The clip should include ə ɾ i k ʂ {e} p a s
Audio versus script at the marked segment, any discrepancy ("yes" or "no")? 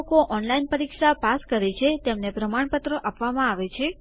yes